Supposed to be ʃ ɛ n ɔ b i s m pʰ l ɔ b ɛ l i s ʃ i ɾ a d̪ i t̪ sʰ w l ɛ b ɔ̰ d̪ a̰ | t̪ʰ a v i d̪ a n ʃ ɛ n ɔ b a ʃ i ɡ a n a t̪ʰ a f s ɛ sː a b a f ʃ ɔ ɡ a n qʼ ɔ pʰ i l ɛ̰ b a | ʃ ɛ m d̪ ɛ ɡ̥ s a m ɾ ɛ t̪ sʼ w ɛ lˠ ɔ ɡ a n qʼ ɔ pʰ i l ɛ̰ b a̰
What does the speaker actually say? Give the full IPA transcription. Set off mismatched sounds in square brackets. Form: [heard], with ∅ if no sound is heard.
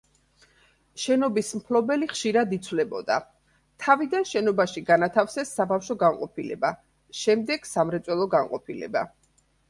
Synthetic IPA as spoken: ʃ ɛ n ɔ b i s m pʰ l ɔ b ɛ l i [χ] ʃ i ɾ a d̪ i t̪ sʰ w l ɛ b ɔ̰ d̪ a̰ | t̪ʰ a v i d̪ a n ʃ ɛ n ɔ b a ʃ i ɡ a n a t̪ʰ a f s ɛ sː a b a f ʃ ɔ ɡ a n qʼ ɔ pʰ i l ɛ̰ b a | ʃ ɛ m d̪ ɛ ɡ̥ s a m ɾ ɛ t̪ sʼ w ɛ lˠ ɔ ɡ a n qʼ ɔ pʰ i l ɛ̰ b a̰